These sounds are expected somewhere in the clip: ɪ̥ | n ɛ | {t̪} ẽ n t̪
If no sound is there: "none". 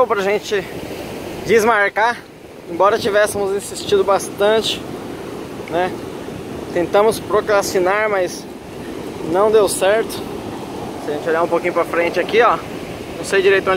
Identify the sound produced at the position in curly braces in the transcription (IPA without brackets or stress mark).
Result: t̪